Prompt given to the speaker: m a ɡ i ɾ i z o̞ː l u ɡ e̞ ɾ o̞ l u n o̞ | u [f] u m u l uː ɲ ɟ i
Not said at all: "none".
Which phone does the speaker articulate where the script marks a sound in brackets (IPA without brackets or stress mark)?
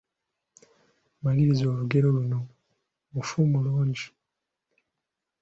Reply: f